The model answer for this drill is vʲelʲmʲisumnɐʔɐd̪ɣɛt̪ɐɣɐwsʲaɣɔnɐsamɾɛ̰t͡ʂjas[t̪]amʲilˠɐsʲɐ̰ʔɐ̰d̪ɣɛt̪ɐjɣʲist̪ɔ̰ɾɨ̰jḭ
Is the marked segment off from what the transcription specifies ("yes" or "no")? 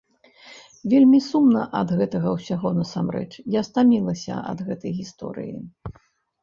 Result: no